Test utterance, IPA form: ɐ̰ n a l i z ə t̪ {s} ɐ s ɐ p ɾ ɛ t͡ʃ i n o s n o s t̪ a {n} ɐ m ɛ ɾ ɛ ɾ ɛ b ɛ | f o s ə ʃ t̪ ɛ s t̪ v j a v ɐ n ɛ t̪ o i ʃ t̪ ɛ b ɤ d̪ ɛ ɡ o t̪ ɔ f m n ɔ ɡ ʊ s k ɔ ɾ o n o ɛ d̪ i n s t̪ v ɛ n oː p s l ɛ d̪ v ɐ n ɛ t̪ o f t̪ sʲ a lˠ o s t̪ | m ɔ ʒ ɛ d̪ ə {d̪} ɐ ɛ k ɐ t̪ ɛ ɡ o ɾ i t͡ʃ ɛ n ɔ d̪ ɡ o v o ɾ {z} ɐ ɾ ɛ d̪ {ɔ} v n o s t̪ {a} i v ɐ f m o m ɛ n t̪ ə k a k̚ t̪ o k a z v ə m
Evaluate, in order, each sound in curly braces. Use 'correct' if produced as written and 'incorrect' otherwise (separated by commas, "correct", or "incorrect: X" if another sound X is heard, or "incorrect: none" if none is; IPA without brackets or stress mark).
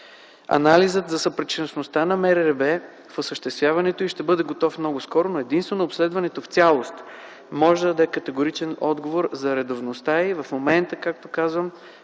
incorrect: z, correct, correct, correct, incorrect: o, correct